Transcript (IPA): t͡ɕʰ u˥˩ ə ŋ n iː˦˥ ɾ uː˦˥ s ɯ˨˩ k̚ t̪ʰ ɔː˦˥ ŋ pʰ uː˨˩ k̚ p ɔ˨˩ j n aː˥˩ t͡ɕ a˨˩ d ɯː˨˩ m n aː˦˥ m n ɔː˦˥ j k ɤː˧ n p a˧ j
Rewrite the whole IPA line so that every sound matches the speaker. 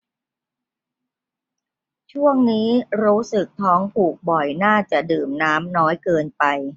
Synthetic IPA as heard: t͡ɕʰ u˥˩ ə ŋ n iː˦˥ ɾ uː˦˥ s ɯ˨˩ k̚ t̪ʰ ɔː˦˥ ŋ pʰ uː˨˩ k̚ b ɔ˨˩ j n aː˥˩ t͡ɕ a˨˩ d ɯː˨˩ m n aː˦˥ m n ɔː˦˥ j k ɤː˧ n p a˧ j